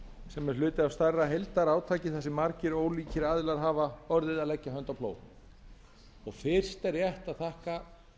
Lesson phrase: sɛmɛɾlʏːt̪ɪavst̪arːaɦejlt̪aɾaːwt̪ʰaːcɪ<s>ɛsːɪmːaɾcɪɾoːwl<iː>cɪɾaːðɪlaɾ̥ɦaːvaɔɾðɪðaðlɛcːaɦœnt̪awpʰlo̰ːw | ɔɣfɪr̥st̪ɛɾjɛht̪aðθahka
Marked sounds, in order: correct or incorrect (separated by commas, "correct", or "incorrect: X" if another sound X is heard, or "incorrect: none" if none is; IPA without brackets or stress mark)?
incorrect: θ, correct